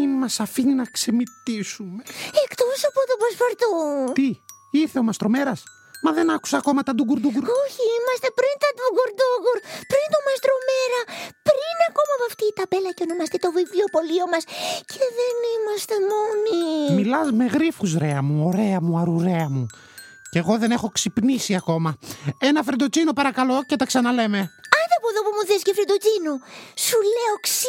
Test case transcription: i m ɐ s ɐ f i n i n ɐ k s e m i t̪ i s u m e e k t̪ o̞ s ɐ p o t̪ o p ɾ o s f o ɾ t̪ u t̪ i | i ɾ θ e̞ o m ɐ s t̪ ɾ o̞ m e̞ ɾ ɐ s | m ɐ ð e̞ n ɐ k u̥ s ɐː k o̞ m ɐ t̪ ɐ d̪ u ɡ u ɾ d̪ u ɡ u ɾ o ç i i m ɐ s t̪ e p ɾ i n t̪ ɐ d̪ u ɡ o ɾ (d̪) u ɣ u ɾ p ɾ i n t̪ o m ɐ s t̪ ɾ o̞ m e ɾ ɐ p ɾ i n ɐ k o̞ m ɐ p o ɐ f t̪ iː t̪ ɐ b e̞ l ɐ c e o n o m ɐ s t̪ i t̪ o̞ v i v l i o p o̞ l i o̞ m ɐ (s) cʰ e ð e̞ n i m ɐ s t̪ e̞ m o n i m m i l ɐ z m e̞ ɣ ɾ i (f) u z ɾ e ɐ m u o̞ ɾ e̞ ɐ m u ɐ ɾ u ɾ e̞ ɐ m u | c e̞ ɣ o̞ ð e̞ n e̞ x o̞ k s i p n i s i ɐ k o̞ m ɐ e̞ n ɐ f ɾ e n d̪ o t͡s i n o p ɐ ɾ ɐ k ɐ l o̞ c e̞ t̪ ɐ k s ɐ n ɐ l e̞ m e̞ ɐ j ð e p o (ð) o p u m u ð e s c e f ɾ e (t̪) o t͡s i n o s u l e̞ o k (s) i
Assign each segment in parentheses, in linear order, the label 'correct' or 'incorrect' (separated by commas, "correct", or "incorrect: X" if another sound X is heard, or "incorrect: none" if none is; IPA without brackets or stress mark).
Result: correct, correct, correct, correct, incorrect: d̪, correct